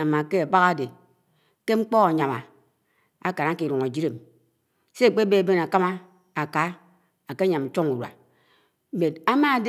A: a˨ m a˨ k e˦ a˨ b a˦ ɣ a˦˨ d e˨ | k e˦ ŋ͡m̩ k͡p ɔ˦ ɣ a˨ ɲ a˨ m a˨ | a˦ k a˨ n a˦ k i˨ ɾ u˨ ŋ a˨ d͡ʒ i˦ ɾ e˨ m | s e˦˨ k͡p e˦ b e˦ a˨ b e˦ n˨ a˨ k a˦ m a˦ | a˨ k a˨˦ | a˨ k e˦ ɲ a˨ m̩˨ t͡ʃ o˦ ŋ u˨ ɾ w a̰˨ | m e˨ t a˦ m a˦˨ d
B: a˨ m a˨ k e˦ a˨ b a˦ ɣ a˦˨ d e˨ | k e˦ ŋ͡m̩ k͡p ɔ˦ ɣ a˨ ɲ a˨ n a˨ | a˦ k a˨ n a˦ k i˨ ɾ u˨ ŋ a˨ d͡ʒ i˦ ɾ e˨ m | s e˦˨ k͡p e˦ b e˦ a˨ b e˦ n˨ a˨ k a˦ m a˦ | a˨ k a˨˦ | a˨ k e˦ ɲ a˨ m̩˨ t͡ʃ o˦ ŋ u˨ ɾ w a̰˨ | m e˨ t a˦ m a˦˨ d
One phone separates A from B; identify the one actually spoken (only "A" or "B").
A